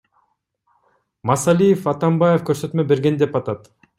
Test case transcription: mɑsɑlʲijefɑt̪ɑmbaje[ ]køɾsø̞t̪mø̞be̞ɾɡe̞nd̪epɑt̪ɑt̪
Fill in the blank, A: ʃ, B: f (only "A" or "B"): B